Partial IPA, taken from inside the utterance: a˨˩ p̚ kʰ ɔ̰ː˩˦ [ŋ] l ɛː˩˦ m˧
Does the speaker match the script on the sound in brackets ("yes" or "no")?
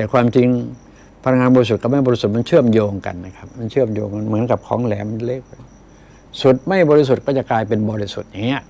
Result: yes